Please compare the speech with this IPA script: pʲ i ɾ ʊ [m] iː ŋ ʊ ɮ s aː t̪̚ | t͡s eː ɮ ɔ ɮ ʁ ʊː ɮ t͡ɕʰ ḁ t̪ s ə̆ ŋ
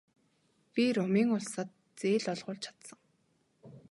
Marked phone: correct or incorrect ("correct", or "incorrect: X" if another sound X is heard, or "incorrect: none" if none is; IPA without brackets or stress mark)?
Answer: correct